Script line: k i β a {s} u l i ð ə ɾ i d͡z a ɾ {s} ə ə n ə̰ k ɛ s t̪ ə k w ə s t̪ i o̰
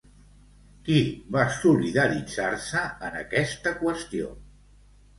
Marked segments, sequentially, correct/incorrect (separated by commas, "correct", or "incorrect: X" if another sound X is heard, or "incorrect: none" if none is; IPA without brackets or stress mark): correct, correct